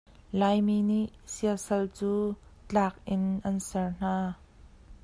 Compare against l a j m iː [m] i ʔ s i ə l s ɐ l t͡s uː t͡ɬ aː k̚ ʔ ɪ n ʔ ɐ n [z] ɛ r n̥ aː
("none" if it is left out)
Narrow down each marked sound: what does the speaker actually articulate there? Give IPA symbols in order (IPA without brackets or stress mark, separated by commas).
n, s